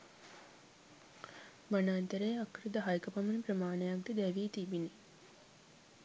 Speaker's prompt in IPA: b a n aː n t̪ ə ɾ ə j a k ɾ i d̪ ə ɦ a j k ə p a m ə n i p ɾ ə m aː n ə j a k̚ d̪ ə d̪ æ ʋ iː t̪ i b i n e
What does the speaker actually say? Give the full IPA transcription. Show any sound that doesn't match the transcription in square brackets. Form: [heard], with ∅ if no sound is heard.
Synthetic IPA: b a n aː n t̪ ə ɾ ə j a k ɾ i d̪ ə ɦ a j k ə p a m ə n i p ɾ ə m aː n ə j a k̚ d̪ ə d̪ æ ʋ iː t̪ i b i n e

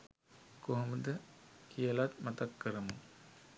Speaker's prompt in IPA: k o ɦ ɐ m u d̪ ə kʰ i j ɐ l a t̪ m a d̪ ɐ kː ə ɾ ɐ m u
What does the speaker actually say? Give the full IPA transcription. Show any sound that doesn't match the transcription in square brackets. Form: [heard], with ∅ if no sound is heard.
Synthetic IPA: k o ɦ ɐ m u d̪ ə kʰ i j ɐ l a t̪ m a [t̪] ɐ kː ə ɾ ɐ m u

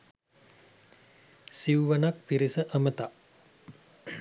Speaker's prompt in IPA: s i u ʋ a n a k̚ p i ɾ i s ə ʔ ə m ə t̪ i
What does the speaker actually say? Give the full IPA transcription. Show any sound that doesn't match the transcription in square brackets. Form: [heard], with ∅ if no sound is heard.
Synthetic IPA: s i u ʋ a n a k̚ p i ɾ i s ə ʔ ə m ə t̪ [a]

